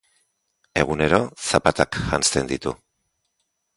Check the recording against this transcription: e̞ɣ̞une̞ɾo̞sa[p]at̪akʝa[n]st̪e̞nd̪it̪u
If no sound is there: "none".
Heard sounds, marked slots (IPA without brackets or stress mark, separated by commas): p, n